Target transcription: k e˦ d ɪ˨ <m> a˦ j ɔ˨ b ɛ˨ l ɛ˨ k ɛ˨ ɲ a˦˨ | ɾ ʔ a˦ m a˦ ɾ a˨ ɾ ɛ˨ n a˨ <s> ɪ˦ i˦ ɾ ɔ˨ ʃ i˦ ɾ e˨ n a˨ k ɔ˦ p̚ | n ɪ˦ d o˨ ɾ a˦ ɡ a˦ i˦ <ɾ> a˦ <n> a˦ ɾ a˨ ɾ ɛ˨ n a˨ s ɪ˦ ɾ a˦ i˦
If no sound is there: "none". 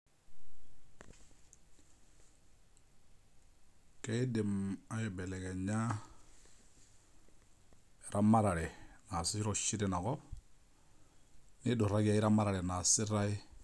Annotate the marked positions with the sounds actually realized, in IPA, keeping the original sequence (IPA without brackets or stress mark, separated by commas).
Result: m, s, ɾ, m